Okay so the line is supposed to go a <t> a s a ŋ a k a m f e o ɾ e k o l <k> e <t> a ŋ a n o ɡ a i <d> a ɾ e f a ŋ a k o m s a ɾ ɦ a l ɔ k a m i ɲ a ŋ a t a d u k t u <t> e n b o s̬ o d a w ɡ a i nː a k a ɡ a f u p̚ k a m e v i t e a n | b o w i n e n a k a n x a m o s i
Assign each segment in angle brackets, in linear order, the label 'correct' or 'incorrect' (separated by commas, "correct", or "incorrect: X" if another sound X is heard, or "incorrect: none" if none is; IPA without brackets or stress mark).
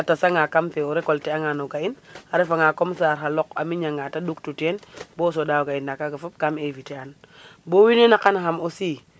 correct, incorrect: t, incorrect: none, incorrect: n, correct